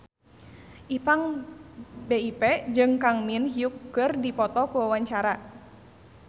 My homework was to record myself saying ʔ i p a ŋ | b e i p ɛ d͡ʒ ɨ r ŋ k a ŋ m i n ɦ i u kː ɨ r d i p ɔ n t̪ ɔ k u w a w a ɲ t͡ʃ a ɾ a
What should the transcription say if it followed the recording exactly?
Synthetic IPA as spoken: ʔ i p a ŋ | b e i p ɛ d͡ʒ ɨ ŋ k a ŋ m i n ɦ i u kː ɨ r d i p ɔ t̪ ɔ k u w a w a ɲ t͡ʃ a ɾ a